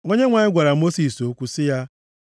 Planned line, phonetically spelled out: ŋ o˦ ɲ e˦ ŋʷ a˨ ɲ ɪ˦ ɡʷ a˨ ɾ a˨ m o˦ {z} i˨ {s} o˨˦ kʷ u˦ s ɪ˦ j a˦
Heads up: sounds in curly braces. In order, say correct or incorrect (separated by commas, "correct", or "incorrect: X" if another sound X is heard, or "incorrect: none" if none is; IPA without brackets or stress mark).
incorrect: s, correct